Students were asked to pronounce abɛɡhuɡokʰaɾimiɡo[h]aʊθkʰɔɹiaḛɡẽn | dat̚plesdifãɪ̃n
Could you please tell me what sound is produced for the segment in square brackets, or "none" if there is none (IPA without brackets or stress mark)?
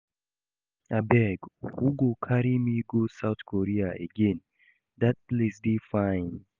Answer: s